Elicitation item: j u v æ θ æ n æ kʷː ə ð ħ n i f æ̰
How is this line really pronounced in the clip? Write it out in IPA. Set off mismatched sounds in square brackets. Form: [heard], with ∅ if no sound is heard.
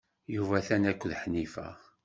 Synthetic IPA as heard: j u v æ θ æ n æ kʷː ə ð ħ n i f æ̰